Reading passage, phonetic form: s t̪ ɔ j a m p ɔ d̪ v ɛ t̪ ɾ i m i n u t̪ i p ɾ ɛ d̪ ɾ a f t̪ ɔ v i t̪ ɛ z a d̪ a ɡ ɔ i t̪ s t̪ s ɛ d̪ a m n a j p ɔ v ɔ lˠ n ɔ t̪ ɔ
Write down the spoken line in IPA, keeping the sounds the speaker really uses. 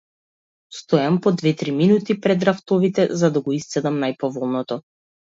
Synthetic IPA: s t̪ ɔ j a m p ɔ d̪ v ɛ t̪ ɾ i m i n u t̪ i p ɾ ɛ d̪ ɾ a f t̪ ɔ v i t̪ ɛ z a d̪ a ɡ ɔ i s t̪ s ɛ d̪ a m n a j p ɔ v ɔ lˠ n ɔ t̪ ɔ